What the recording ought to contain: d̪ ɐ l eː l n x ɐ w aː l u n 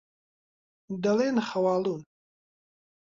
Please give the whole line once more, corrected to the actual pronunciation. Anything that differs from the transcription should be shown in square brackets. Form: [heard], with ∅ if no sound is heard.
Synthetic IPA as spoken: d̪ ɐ l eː [∅] n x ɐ w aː l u n